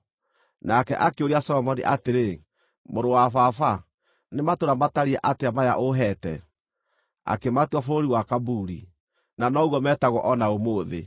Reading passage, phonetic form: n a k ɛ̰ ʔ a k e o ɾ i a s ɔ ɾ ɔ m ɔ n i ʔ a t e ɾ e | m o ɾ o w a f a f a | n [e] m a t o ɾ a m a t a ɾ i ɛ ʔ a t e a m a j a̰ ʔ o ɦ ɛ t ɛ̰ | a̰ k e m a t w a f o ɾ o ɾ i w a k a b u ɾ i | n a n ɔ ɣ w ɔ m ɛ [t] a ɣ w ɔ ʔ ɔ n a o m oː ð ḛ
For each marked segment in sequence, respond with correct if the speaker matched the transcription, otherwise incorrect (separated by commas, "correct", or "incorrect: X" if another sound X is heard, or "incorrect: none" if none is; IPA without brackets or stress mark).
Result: correct, correct